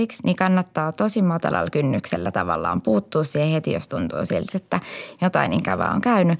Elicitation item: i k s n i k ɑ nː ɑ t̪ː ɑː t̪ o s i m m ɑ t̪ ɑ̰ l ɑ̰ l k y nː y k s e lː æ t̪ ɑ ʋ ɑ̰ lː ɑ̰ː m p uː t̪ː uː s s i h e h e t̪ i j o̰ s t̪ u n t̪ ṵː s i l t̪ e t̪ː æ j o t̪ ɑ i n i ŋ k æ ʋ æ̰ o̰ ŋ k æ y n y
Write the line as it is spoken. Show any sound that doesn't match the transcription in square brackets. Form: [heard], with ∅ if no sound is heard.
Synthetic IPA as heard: i k s n i k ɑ nː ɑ t̪ː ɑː t̪ o s i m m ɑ t̪ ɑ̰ l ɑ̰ l k y nː y k s e lː æ t̪ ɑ ʋ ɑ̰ lː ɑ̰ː m p uː t̪ː uː s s i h e h e t̪ i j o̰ s t̪ u n t̪ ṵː s i l t̪ e t̪ː æ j o t̪ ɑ i n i ŋ k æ ʋ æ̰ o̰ ŋ k æ y n y